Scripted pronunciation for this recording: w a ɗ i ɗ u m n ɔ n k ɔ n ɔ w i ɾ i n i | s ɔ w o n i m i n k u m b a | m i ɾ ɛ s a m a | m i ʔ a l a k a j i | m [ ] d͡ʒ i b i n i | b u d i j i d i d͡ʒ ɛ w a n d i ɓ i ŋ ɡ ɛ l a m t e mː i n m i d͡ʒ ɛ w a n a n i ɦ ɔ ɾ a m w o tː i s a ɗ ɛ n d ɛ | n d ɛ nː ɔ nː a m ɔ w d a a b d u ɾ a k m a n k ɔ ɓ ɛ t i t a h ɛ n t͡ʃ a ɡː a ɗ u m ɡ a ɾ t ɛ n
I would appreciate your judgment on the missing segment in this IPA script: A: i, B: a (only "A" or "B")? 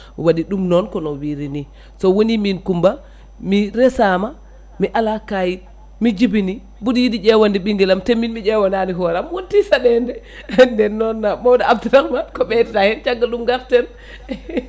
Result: A